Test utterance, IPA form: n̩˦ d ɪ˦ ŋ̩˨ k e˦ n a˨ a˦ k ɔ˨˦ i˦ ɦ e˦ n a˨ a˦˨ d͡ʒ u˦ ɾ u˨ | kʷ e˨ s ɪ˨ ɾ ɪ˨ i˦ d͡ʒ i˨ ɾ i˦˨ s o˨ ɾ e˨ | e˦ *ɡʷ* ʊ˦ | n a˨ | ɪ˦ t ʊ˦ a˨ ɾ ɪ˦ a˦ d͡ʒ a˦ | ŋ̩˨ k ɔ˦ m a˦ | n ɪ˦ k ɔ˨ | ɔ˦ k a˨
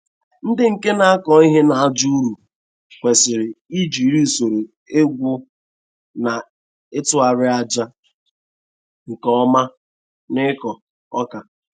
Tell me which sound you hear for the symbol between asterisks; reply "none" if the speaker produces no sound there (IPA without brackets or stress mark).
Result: ɡʷ